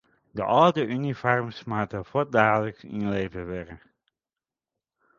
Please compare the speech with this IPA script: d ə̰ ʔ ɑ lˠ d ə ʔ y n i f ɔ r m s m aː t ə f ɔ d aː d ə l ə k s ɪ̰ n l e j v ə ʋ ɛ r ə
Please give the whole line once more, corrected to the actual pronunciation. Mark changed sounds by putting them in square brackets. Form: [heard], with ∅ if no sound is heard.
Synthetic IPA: d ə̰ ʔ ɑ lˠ d ə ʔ y n i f ɔ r m s m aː t ə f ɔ d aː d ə l ə k s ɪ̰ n l e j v ə ʋ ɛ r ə